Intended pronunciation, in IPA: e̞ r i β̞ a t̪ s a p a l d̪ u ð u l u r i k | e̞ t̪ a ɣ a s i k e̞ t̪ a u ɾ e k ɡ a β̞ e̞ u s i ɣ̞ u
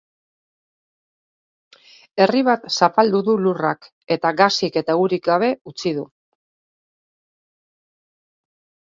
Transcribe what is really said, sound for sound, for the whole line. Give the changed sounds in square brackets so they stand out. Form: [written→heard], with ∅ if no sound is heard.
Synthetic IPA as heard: e̞ r i β̞ a t̪ s a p a l d̪ u ð u l u r [i→a] k | e̞ t̪ a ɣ a s i k e̞ t̪ a u ɾ [e→i] k ɡ a β̞ e̞ u [s→t͡s] i [ɣ̞→ð̞] u